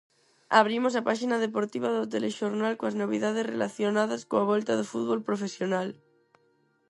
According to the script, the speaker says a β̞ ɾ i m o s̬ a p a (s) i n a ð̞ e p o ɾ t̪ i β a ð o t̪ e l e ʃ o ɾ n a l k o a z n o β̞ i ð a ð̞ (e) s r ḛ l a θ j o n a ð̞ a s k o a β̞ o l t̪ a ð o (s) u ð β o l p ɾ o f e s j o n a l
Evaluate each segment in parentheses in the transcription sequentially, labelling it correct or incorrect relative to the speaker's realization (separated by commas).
incorrect, correct, incorrect